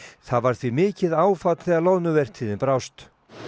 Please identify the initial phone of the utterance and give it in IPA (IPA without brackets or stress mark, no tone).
θ